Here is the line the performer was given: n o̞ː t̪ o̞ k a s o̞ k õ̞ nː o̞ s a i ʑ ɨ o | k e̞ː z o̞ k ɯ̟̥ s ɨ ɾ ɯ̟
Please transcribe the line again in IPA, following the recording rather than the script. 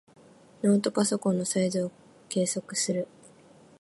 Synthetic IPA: n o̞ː t̪ o̞ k a s o̞ k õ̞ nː o̞ s a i z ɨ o | k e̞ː s o̞ k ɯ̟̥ s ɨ ɾ ɯ̟